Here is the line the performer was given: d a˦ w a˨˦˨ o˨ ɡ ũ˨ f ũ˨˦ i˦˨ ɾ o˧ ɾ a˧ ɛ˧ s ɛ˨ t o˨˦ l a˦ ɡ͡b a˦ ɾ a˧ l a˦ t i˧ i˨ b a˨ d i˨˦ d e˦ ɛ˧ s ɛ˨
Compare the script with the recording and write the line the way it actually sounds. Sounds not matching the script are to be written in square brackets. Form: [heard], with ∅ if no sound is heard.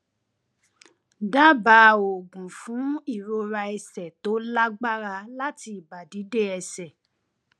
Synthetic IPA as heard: d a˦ [b] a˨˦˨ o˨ ɡ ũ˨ f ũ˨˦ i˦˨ ɾ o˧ ɾ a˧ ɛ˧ s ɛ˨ t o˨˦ l a˦ ɡ͡b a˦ ɾ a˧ l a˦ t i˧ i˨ b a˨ d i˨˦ d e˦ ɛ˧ s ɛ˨